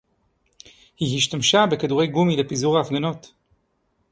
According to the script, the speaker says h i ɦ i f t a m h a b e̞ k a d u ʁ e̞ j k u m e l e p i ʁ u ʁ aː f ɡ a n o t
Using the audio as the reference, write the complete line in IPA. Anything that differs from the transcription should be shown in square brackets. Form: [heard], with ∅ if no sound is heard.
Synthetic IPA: h i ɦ i [ʃ] t a m [ʃ] a b e̞ k a d u ʁ e̞ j [ɡ] u m [i] l e p i [z] u ʁ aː f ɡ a n o t